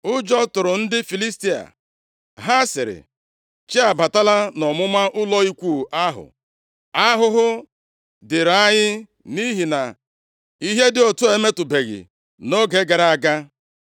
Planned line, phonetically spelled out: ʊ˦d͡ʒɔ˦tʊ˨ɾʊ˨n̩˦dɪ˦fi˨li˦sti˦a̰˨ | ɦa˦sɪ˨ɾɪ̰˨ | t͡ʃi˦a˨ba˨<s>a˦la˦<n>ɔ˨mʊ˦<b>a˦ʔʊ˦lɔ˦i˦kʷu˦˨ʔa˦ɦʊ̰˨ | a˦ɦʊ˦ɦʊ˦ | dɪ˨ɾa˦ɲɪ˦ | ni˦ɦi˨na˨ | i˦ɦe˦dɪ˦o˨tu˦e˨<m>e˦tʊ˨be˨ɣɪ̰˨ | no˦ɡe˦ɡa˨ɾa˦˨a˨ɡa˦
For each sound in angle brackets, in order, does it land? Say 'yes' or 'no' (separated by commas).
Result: no, yes, no, yes